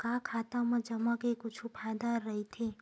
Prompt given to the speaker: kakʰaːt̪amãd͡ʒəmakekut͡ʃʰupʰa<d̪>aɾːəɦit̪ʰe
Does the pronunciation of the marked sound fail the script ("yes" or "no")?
no